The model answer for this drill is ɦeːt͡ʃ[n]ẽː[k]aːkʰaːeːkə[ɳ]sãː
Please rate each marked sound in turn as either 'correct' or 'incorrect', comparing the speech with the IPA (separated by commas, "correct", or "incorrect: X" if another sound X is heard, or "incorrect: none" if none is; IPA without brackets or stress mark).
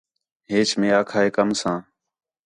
incorrect: m, incorrect: none, incorrect: m